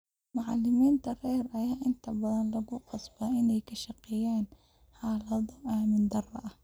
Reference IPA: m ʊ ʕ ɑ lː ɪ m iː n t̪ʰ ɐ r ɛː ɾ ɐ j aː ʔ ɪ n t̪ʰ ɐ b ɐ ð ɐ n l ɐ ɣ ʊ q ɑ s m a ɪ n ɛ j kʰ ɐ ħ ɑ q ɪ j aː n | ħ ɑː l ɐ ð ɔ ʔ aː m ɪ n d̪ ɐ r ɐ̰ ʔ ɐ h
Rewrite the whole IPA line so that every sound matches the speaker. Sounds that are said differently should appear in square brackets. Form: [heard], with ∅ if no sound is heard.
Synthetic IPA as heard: m ʊ ʕ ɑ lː ɪ m iː n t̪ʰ ɐ r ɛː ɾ ɐ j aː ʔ ɪ n t̪ʰ ɐ b ɐ ð ɐ n l ɐ ɣ ʊ q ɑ s [b] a ɪ n ɛ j kʰ ɐ [ʃ] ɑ q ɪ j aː n | ħ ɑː l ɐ ð ɔ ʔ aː m ɪ n d̪ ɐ r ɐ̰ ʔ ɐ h

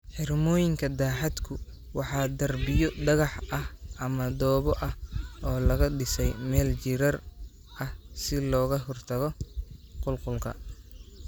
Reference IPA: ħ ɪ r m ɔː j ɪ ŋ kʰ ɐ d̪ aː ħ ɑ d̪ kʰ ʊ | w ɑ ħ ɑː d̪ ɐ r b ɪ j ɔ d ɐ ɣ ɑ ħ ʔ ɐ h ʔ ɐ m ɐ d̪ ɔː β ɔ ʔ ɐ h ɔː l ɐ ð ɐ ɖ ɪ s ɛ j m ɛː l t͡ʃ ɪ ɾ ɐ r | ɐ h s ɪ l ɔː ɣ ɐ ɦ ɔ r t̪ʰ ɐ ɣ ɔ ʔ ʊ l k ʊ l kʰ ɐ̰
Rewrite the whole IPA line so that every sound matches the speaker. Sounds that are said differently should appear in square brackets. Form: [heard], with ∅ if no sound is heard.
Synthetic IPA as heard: ħ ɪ r m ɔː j ɪ ŋ kʰ ɐ d̪ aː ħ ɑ d̪ kʰ ʊ | w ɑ ħ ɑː d̪ ɐ r b ɪ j ɔ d ɐ ɣ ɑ ħ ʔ ɐ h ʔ ɐ m ɐ d̪ ɔː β ɔ ʔ ɐ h ɔː l ɐ [ɣ] ɐ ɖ ɪ s ɛ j m ɛː l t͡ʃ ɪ ɾ ɐ r | ɐ h s ɪ l ɔː ɣ ɐ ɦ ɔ r t̪ʰ ɐ ɣ ɔ [q] ʊ l [q] ʊ l kʰ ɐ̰

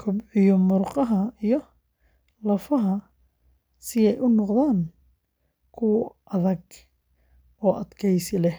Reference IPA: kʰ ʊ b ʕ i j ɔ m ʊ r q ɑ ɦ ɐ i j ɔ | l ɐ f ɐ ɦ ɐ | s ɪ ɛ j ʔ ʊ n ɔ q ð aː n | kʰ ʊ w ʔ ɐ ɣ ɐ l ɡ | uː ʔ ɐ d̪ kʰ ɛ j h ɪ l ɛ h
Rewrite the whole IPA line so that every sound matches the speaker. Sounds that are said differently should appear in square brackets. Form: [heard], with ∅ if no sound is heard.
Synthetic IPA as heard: kʰ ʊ b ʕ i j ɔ m ʊ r q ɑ ɦ ɐ i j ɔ | l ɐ f ɐ ɦ ɐ | s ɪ ɛ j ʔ ʊ n ɔ q ð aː n | kʰ ʊ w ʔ ɐ [ð] ɐ [∅] ɡ | [ɔː] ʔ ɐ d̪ kʰ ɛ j [s] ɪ l ɛ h

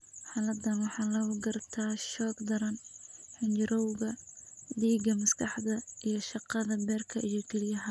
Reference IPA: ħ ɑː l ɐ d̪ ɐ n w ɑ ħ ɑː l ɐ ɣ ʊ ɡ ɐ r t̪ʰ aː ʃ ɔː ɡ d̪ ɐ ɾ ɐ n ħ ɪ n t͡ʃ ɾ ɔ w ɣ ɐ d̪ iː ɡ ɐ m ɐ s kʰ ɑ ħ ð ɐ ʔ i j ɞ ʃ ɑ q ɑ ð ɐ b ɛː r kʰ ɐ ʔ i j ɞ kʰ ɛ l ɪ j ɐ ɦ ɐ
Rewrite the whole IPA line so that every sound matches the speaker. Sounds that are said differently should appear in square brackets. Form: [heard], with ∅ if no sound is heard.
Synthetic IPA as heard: ħ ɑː l ɐ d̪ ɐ n w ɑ ħ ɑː l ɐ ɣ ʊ ɡ ɐ r t̪ʰ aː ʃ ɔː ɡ d̪ ɐ ɾ ɐ n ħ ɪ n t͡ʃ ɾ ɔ w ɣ ɐ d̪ iː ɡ ɐ m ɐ s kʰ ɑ ħ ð ɐ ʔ i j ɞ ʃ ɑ q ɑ ð ɐ b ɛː r kʰ ɐ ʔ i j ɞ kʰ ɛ l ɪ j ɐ ɦ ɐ

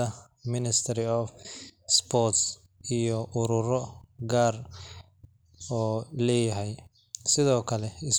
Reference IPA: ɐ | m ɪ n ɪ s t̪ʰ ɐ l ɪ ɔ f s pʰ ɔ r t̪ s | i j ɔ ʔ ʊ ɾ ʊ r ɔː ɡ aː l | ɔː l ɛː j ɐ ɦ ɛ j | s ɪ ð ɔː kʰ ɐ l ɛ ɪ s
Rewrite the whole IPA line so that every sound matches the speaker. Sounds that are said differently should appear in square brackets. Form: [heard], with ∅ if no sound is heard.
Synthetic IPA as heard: ɐ | m ɪ n ɪ s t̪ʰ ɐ [ɾ] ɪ ɔ f s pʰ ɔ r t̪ s | i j ɔ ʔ ʊ ɾ ʊ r [ɔ] ɡ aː [r] | ɔː l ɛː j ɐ ɦ ɛ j | s ɪ ð ɔː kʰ ɐ l ɛ ɪ s

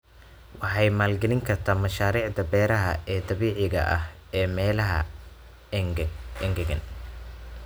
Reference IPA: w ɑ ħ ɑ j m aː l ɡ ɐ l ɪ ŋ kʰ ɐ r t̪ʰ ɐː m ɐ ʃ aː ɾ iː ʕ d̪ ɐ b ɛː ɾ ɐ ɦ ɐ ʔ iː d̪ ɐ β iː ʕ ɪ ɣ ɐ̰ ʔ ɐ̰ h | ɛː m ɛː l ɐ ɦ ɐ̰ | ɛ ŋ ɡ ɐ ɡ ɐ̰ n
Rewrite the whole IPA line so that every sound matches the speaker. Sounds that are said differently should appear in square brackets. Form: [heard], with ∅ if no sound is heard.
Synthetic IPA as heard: w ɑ ħ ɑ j m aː l ɡ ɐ l ɪ ŋ kʰ ɐ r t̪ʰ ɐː m ɐ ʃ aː ɾ iː ʕ d̪ ɐ b ɛː ɾ ɐ ɦ ɐ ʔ [ɛː] d̪ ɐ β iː ʕ ɪ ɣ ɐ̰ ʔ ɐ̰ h | ɛː m ɛː l ɐ ɦ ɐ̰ | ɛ ŋ ɡ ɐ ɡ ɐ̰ n

